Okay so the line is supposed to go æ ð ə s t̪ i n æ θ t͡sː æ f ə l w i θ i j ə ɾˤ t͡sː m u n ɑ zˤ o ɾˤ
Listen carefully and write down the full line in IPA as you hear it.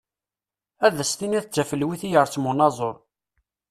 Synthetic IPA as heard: æ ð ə s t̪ i n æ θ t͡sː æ f ə l w i θ i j ə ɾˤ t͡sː m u n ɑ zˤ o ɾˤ